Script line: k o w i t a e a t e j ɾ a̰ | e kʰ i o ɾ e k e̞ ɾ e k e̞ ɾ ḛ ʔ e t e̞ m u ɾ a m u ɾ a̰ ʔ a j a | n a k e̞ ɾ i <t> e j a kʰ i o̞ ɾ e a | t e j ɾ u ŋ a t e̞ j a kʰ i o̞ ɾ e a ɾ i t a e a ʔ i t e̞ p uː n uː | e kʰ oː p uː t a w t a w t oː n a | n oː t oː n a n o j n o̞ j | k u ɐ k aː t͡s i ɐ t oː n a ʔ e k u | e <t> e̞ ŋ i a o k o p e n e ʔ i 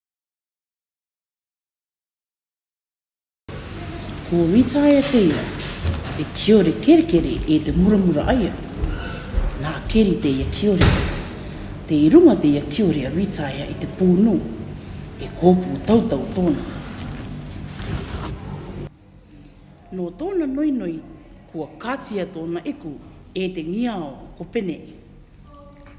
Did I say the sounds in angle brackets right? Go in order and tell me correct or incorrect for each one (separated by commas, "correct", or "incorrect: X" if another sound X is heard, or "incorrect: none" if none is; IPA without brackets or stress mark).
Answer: correct, correct